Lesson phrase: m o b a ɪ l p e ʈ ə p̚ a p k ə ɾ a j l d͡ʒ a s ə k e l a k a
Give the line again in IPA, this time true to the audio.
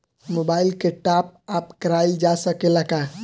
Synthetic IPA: m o b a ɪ l k e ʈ a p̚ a p k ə ɾ a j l d͡ʒ a s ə k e l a k a